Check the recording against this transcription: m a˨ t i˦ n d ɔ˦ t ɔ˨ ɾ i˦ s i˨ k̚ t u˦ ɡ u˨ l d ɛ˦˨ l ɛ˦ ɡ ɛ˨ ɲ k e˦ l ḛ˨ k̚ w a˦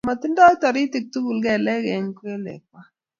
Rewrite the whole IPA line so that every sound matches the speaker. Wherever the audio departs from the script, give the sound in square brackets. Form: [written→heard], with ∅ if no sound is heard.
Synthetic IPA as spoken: m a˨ t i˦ n d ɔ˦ t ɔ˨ ɾ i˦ [s→t] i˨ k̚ t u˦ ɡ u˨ l [d→ɡ] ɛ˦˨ l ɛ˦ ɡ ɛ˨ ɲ k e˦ l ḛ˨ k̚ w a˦